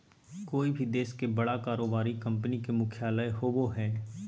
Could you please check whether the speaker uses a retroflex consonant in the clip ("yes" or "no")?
yes